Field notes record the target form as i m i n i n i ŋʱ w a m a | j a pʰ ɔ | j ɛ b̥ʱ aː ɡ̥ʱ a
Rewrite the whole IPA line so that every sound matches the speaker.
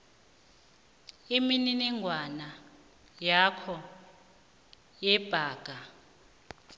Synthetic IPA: i m i n i n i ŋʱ w a n a | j a kʰ ɔ | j ɛ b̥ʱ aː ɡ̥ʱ a